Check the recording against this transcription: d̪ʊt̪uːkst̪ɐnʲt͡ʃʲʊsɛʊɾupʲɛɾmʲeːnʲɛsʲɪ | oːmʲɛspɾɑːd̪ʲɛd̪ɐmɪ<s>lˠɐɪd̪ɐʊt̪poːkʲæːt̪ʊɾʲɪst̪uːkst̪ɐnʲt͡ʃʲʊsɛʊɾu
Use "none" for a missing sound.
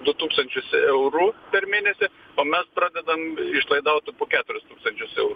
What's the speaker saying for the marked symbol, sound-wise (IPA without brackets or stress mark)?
ʃ